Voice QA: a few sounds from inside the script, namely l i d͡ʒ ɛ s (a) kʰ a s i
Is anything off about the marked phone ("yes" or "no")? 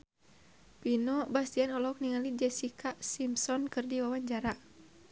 yes